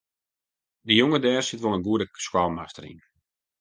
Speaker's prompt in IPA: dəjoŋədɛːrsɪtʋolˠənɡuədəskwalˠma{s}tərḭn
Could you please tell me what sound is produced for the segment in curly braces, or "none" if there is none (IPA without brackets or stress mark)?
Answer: s